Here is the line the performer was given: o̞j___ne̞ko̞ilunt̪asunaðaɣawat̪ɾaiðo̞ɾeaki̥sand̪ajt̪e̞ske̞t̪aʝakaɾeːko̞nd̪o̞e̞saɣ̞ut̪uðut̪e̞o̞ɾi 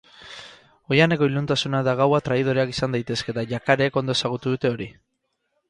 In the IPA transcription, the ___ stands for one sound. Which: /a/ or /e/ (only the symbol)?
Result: a